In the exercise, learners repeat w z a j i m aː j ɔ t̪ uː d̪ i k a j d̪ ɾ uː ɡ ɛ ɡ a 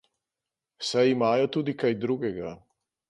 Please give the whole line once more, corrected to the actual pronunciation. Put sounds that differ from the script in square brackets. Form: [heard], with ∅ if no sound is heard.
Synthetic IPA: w [s] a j i m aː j ɔ t̪ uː d̪ i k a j d̪ ɾ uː ɡ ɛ ɡ a